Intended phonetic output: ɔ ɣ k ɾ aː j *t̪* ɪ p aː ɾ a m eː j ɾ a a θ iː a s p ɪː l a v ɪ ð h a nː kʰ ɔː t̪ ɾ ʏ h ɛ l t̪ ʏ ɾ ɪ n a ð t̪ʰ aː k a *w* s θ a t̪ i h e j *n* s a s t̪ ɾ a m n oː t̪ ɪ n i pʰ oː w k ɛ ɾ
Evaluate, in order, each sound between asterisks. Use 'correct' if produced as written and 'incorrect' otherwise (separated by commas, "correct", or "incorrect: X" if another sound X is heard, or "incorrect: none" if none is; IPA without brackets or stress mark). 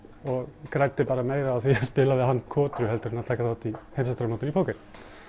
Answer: correct, incorrect: none, incorrect: m